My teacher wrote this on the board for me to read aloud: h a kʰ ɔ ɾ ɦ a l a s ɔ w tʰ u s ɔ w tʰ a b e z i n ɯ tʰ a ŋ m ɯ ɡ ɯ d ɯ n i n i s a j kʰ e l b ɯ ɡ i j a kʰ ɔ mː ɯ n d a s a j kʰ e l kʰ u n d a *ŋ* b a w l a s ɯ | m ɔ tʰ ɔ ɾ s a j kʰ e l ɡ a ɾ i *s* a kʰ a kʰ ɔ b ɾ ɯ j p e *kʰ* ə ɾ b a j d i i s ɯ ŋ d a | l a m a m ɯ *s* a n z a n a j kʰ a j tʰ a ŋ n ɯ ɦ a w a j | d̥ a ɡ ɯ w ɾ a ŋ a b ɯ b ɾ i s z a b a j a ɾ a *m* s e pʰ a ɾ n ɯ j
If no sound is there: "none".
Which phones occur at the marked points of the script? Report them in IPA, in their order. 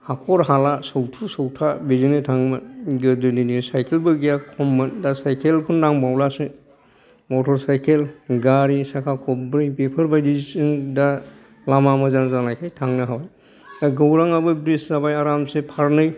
ŋ, s, pʰ, z, m

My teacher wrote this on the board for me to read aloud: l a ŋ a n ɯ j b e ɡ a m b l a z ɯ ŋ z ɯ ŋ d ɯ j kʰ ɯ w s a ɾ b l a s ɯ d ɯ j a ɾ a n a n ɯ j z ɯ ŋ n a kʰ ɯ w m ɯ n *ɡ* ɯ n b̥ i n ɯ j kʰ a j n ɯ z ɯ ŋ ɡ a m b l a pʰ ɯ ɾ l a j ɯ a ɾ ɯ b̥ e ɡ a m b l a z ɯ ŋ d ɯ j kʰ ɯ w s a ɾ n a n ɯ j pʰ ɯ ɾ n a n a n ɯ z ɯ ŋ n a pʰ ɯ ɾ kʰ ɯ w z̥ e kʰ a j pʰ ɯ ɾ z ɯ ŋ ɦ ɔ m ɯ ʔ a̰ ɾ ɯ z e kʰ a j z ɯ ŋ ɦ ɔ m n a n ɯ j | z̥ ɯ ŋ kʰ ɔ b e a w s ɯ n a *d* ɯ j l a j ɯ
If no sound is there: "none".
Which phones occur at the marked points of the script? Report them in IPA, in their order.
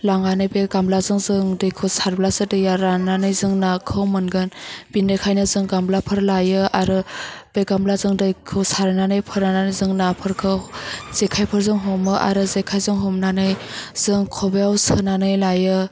ɡ, n

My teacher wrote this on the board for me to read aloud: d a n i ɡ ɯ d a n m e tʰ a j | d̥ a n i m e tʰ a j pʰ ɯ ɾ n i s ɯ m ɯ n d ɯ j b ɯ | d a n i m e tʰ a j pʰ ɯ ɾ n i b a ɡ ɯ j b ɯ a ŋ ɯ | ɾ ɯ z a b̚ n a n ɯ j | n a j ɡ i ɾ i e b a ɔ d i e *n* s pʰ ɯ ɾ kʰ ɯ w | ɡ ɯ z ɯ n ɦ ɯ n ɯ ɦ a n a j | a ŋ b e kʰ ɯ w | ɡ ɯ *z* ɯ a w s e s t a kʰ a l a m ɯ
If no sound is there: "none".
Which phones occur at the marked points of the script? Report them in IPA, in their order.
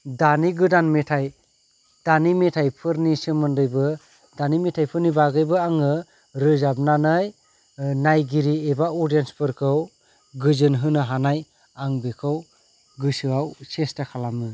n, s

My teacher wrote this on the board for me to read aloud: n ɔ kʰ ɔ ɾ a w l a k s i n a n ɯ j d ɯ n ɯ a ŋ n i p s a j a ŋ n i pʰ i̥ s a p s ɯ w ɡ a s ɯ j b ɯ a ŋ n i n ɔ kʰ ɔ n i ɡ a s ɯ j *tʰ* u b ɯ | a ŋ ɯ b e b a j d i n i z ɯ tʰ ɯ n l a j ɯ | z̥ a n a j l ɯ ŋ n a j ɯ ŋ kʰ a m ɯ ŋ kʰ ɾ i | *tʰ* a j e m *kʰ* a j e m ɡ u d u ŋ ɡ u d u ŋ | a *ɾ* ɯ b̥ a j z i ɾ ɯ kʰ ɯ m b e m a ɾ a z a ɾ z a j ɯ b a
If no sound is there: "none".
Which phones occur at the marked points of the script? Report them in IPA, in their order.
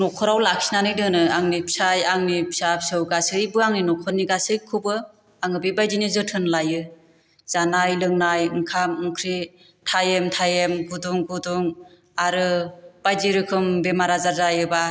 kʰ, tʰ, tʰ, ɾ

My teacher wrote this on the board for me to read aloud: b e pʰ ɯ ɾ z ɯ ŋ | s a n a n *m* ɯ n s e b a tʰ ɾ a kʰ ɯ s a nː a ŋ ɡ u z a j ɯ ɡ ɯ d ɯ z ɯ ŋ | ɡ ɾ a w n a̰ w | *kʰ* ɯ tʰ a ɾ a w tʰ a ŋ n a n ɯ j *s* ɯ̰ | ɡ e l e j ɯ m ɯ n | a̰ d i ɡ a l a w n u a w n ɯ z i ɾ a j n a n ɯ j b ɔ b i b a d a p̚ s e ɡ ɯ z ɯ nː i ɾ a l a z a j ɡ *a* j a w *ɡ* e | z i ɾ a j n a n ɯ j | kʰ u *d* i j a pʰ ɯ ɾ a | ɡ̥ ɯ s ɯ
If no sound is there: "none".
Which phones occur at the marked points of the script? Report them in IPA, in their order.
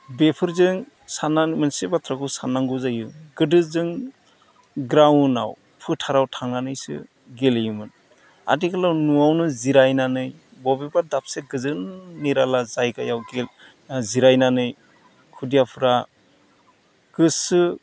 m, pʰ, s, a, ɡ, d

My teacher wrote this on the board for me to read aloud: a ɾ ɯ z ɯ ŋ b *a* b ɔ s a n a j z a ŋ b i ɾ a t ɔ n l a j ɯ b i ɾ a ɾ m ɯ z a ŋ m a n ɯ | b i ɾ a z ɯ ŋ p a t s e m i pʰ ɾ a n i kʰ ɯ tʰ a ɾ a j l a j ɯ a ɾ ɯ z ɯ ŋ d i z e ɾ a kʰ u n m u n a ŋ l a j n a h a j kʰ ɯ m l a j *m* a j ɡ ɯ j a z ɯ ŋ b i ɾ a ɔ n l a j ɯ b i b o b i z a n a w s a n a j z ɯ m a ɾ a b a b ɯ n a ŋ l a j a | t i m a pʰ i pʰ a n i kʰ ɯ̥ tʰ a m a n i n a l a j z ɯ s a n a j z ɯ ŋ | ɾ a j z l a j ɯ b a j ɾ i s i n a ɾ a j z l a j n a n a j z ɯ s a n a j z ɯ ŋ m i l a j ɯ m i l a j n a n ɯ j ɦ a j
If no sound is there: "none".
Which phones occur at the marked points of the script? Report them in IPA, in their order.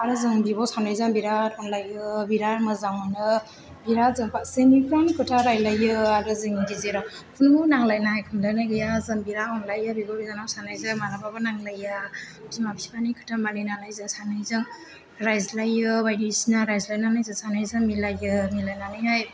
i, n

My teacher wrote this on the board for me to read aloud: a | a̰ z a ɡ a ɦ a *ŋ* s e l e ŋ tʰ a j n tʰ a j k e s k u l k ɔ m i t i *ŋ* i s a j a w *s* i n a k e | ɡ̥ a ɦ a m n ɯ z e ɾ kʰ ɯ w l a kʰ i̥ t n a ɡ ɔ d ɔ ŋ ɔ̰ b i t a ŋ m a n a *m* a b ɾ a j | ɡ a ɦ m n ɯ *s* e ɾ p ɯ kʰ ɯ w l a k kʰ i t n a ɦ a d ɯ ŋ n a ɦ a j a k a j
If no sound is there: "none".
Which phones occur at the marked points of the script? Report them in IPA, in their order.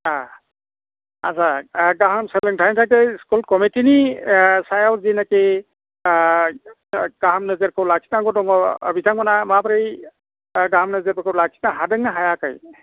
m, n, z, m, z

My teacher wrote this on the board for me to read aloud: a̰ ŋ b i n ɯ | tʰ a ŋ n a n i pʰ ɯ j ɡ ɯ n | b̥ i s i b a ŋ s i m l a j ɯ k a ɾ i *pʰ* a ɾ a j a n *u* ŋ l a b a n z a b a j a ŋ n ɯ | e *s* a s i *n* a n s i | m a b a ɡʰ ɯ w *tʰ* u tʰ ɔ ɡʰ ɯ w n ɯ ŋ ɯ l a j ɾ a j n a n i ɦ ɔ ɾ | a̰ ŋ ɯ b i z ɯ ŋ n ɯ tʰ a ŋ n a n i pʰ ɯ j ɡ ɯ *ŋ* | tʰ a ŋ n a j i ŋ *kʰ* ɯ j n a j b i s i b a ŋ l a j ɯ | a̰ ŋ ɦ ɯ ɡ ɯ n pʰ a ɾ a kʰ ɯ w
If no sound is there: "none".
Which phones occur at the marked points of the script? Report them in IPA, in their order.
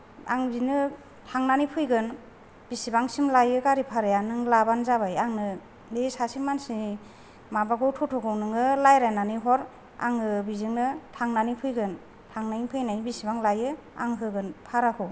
pʰ, ɯ, s, m, tʰ, n, pʰ

